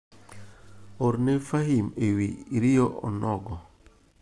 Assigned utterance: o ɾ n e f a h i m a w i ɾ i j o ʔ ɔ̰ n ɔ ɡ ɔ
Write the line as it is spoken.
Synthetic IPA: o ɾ n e f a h i m e w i ɾ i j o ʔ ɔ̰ n ɔ ɡ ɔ